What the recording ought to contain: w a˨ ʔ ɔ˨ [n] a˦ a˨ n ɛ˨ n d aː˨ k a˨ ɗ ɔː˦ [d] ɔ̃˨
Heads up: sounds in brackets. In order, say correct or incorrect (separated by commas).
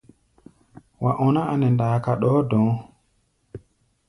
correct, correct